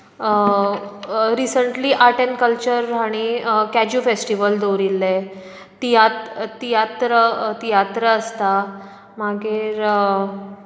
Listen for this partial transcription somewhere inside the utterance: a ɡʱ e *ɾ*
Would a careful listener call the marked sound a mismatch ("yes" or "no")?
no